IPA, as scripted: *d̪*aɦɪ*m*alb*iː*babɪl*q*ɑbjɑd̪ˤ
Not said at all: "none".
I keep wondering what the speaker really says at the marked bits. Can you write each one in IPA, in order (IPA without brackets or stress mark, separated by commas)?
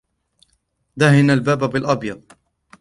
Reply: d̪, n, aː, ʔ